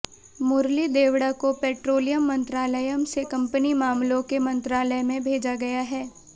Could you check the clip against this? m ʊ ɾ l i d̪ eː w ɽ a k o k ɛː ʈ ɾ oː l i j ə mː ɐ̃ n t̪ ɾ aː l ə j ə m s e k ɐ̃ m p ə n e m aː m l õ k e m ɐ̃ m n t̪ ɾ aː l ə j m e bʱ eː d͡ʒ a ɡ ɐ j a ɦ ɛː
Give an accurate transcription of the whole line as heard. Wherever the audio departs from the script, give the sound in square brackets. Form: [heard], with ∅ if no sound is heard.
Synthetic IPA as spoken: m ʊ ɾ l i d̪ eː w ɽ a k o [p] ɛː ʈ ɾ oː l i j ə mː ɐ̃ n t̪ ɾ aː l ə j ə m s e k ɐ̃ m p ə n [i] m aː m l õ k e m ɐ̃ [∅] n t̪ ɾ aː l ə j m [ẽ] bʱ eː d͡ʒ a ɡ ɐ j a ɦ ɛː